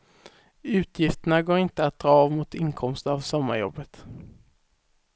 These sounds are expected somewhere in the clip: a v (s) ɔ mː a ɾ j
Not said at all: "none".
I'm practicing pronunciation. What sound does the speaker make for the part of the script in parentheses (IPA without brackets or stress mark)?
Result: s